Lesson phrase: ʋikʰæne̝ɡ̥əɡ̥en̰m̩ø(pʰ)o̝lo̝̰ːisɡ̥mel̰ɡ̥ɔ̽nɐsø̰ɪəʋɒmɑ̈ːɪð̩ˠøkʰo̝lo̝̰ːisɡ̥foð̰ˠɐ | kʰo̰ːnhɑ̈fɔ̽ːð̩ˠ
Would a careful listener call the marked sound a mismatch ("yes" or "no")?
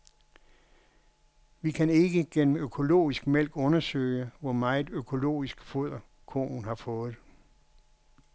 yes